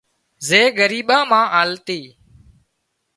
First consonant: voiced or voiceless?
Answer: voiced